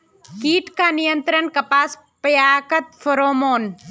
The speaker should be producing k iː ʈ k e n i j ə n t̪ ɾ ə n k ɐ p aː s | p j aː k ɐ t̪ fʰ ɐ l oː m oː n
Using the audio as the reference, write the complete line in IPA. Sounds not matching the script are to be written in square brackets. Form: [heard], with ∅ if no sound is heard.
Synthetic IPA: k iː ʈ k [a] n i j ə n t̪ ɾ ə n k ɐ p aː s | p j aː k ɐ t̪ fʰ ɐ [ɾ] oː m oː n